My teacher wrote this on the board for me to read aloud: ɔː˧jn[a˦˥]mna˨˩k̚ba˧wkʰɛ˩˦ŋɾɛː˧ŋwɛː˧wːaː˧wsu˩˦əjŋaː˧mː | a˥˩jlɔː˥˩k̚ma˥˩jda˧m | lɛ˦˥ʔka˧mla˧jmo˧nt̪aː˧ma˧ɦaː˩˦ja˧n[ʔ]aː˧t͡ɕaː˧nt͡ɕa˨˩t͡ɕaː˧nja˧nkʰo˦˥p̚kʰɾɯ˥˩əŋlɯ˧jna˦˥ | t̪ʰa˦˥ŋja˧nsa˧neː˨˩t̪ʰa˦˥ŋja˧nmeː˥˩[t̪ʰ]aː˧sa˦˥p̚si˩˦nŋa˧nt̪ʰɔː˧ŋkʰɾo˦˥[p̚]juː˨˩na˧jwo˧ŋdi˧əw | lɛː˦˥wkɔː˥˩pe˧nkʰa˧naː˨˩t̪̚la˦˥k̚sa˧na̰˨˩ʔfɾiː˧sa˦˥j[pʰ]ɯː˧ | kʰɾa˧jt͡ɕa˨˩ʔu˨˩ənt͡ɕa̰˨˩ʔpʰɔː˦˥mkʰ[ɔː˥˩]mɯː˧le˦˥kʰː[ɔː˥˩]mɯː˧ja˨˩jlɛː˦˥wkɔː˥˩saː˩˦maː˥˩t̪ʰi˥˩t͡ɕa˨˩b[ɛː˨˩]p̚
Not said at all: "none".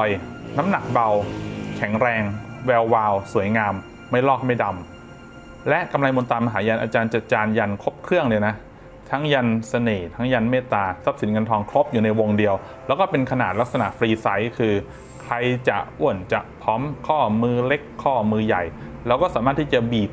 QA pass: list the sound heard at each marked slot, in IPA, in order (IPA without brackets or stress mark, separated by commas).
a˦˥, ʔ, t̪, p̚, kʰ, ɔː˥˩, ɔː˥˩, iː˨˩